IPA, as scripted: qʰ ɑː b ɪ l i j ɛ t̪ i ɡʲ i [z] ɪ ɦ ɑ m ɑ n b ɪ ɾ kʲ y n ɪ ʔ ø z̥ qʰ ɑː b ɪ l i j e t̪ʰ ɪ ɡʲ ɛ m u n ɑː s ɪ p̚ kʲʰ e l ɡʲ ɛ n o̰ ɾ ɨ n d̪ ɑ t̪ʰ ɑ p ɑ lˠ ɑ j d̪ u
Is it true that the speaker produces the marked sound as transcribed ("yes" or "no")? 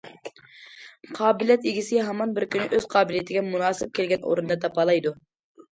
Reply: no